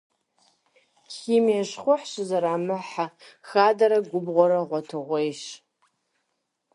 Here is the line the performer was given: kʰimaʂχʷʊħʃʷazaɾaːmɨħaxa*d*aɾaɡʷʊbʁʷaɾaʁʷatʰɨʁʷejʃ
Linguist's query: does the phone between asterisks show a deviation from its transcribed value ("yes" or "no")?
no